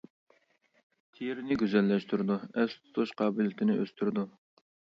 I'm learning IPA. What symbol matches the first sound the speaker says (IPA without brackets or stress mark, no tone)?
t̪ʰ